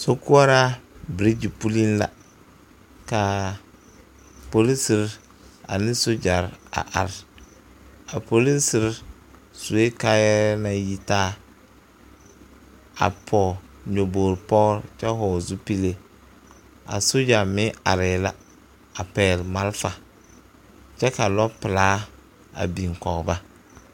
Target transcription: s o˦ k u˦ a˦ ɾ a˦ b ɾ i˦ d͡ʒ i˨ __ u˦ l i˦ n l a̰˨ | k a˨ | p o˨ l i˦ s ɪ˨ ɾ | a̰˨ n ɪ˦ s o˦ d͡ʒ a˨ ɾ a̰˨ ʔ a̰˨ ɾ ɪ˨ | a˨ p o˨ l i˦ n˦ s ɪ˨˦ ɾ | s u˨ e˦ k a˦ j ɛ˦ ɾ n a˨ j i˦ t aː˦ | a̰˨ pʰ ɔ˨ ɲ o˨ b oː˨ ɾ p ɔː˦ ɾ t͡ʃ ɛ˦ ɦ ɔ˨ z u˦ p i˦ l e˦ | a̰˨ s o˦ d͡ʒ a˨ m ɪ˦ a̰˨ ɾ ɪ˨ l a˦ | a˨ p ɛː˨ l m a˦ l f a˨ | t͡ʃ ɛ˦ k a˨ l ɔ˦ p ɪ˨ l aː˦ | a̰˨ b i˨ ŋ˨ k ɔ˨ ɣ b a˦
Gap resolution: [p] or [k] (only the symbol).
p